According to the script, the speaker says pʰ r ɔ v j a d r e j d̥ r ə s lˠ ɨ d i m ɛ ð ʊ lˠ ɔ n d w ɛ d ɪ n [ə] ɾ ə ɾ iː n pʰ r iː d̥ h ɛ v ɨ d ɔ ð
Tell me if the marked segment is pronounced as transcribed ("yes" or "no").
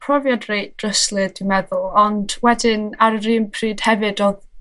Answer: no